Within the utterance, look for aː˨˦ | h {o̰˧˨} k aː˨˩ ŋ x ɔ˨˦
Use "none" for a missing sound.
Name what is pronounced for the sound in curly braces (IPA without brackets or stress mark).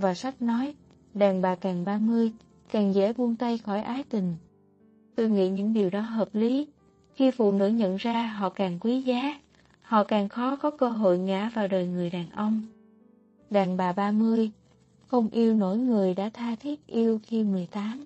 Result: ɔ̰˧˨